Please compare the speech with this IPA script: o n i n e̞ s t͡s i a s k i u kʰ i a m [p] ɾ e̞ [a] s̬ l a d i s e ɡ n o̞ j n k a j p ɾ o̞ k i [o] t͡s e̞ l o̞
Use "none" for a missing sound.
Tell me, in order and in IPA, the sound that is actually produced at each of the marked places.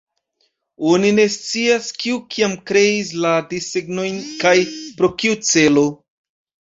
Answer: k, i, u

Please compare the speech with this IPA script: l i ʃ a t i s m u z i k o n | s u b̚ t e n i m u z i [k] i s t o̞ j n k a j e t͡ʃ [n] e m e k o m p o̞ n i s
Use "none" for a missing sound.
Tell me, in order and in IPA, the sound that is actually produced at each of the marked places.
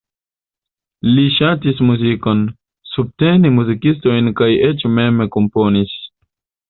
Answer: k, m

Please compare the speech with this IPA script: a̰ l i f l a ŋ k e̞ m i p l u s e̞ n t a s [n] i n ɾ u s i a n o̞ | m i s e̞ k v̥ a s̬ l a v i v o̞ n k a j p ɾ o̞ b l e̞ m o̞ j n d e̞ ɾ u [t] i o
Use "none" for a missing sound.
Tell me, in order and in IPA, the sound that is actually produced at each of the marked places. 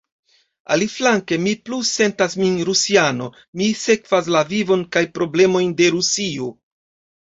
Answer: m, s

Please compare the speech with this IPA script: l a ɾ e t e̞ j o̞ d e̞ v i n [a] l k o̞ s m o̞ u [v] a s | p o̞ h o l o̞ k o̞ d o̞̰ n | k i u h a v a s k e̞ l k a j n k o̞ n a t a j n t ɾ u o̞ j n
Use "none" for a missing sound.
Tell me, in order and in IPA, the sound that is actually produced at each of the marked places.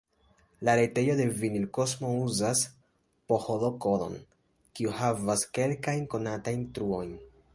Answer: i, z

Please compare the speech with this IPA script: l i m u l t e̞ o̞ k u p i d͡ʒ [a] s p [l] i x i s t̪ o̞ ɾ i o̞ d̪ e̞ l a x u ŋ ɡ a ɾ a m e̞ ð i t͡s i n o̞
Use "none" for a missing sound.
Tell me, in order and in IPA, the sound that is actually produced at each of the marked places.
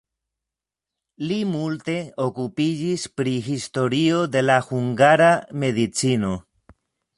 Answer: i, ɾ

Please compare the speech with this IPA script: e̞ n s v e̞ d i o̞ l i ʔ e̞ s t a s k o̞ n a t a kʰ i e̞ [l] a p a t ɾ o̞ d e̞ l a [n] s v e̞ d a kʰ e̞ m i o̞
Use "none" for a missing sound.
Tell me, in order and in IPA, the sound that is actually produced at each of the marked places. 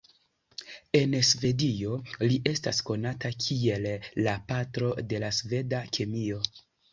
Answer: lː, none

